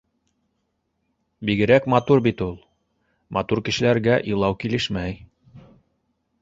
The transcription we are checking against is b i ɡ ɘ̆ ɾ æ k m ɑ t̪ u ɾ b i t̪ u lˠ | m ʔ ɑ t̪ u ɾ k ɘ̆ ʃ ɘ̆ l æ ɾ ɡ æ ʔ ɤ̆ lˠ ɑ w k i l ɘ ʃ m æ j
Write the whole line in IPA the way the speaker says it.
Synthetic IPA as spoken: b i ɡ ɘ̆ ɾ æ k m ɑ t̪ u ɾ b i t̪ u lˠ | m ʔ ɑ t̪ u ɾ k ɘ̆ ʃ ɘ̆ l æ ɾ ɡ æ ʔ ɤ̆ lˠ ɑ w k i l ɘ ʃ m æ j